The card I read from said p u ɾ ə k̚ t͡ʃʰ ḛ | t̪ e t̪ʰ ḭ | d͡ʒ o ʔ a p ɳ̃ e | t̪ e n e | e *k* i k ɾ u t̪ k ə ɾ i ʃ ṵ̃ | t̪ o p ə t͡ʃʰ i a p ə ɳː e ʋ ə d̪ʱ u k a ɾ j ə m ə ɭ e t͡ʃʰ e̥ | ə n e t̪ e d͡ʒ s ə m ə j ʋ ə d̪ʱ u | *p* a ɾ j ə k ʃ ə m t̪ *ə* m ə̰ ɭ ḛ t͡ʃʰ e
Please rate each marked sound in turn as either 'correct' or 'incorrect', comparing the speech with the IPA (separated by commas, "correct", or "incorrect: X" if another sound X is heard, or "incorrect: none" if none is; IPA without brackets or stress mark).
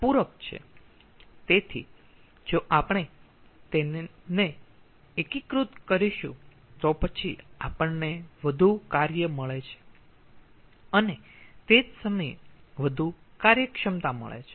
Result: correct, incorrect: k, incorrect: a